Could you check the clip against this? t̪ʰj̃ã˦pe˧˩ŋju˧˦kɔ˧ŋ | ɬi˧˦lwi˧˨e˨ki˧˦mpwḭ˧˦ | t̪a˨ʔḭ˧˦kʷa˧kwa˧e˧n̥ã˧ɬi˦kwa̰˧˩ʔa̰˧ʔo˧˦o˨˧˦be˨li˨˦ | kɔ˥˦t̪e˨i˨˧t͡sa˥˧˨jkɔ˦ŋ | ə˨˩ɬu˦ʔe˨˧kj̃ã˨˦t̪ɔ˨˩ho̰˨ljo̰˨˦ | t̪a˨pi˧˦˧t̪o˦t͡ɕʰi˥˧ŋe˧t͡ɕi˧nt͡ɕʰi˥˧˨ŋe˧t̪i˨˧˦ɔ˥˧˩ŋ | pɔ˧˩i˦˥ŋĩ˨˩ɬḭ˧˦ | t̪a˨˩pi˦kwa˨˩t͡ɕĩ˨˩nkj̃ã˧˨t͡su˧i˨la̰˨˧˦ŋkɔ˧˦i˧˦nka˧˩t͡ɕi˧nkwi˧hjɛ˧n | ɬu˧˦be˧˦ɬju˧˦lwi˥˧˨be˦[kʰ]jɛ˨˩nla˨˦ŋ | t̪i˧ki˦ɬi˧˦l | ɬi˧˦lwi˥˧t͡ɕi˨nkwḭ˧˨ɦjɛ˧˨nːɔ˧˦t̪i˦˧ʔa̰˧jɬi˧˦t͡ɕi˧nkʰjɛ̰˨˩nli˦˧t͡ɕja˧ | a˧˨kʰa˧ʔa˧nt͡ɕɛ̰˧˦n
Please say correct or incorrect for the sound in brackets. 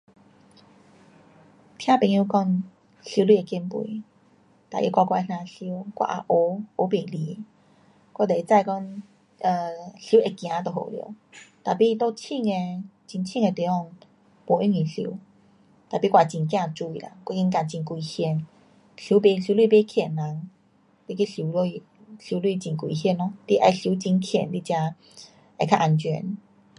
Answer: correct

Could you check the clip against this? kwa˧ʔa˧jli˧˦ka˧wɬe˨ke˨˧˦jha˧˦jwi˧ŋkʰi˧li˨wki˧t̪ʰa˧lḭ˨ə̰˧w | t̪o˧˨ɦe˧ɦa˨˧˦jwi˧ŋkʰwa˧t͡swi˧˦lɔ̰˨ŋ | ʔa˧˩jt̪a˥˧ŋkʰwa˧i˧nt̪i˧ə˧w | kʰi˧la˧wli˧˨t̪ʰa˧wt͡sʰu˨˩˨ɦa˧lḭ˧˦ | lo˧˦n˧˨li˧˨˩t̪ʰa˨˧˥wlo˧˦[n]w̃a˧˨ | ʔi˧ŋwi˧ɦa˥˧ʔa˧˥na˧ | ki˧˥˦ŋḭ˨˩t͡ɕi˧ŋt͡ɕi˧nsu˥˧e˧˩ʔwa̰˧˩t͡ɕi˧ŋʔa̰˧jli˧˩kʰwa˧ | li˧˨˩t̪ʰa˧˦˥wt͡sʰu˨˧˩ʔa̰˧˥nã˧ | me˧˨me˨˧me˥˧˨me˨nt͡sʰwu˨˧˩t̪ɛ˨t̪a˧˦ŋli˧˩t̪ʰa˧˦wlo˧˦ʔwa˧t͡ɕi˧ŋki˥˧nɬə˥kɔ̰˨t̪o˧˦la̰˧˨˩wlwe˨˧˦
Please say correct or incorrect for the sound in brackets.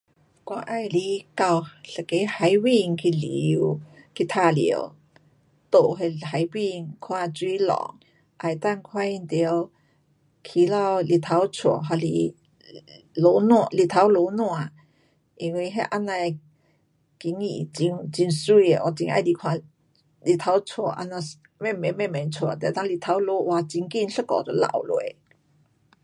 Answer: correct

